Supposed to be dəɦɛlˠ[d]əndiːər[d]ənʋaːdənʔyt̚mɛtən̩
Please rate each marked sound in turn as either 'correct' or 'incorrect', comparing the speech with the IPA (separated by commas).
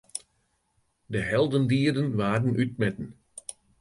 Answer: correct, correct